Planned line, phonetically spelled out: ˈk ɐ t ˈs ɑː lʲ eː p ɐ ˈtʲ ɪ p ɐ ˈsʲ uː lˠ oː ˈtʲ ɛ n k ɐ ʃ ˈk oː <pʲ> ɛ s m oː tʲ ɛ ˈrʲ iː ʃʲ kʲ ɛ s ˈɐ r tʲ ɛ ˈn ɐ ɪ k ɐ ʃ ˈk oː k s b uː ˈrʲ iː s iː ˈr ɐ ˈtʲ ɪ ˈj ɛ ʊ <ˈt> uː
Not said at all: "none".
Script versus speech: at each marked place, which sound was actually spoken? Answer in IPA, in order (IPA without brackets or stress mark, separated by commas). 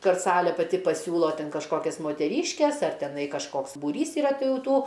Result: kʲ, t